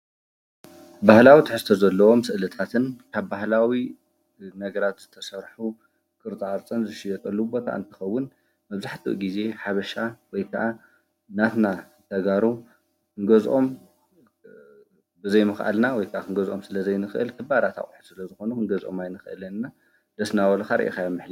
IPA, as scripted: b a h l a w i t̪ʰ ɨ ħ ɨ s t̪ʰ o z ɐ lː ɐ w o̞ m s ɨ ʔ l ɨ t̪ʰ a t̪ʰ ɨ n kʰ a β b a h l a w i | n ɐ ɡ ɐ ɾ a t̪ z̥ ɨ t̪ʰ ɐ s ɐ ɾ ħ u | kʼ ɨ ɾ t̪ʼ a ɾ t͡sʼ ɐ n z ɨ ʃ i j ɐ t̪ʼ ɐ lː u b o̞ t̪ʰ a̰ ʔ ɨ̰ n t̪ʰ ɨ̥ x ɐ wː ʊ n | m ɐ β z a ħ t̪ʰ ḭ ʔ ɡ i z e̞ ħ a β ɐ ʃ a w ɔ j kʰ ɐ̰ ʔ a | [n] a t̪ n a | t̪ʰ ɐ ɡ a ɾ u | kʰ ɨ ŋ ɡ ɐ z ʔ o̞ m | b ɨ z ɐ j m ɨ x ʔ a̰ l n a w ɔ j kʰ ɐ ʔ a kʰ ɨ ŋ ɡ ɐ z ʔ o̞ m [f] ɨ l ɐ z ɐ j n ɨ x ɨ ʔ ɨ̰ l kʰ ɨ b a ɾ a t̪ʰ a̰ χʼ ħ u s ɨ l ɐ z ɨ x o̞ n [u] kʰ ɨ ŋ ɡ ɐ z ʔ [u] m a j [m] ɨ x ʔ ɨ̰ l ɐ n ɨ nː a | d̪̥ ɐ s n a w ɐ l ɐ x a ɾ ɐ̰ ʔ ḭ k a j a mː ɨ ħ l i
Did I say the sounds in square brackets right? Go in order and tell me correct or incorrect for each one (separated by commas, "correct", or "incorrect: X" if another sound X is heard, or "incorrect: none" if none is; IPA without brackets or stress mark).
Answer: correct, incorrect: s, correct, incorrect: o, incorrect: n